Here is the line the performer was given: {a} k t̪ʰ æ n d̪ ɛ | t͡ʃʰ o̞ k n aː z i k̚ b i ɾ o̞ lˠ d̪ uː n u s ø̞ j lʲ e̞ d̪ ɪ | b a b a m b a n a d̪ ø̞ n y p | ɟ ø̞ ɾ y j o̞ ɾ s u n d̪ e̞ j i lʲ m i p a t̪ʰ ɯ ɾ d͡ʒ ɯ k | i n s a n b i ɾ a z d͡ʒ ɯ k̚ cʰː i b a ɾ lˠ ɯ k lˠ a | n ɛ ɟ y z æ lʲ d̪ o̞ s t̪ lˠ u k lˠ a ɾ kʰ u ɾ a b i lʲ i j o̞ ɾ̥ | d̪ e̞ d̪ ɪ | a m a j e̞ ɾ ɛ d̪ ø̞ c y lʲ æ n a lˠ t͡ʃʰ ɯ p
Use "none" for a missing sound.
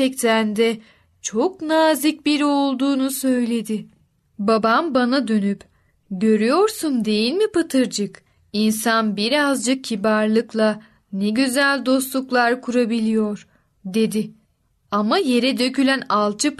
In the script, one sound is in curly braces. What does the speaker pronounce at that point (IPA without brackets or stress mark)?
ɛ